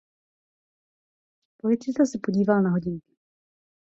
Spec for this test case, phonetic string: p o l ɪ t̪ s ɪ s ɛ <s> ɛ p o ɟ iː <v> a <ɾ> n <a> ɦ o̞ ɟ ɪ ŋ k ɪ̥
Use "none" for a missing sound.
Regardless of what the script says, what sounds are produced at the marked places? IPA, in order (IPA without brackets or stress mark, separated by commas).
s, v, l, a